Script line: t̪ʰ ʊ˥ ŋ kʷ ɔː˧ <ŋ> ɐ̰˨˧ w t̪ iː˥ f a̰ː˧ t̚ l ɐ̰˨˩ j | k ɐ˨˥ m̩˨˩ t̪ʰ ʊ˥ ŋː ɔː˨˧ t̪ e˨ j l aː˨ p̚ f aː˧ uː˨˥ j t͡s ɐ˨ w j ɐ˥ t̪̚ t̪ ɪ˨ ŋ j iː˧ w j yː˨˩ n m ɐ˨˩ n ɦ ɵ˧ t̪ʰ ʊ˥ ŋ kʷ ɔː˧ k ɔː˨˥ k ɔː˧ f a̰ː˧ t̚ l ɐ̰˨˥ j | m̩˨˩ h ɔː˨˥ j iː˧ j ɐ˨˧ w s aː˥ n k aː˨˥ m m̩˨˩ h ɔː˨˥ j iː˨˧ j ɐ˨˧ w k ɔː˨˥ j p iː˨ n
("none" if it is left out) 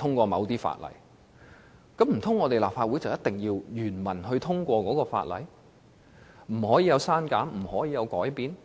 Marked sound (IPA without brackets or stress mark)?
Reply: m